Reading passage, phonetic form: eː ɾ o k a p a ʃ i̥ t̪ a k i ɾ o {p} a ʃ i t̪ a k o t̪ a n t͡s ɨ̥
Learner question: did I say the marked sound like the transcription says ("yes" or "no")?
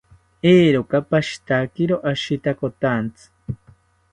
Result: no